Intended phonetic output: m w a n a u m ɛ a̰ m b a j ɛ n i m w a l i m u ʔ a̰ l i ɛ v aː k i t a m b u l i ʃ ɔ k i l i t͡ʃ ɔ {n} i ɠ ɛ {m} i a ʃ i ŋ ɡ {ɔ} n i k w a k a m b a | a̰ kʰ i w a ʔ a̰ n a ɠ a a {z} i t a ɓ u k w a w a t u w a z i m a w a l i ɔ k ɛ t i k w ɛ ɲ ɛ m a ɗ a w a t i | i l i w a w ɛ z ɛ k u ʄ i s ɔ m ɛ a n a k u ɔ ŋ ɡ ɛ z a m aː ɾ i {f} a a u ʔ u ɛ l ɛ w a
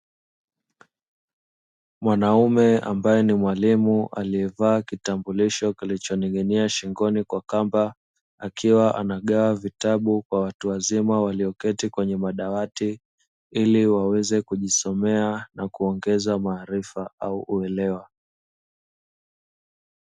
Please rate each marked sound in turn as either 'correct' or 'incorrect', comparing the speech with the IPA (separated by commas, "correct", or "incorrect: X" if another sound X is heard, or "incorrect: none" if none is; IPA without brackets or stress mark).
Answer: correct, incorrect: n, correct, incorrect: v, correct